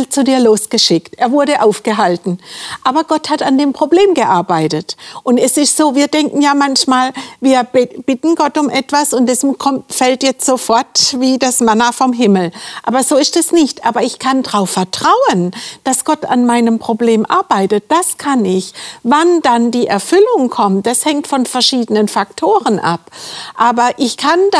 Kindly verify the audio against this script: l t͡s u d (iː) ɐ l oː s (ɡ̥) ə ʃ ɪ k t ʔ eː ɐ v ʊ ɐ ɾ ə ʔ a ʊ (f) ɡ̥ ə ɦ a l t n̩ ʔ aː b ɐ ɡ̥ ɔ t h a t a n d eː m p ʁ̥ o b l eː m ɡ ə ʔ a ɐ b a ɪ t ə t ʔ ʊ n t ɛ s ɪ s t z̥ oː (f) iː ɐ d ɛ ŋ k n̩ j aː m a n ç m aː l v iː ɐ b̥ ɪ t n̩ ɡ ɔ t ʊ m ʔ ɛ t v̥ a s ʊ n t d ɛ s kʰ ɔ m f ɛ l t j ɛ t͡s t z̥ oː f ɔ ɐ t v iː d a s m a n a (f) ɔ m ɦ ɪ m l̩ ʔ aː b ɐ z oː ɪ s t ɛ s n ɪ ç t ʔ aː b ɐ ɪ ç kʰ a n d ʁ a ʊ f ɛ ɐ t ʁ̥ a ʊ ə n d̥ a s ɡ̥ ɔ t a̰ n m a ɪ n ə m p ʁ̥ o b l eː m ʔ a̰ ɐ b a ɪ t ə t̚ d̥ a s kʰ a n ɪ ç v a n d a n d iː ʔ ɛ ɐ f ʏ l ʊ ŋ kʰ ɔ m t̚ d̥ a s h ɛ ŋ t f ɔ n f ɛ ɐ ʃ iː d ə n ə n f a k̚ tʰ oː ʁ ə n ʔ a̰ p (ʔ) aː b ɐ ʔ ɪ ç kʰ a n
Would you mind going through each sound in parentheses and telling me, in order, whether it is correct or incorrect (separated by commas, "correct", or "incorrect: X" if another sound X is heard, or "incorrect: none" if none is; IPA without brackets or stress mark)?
correct, correct, correct, incorrect: v, correct, correct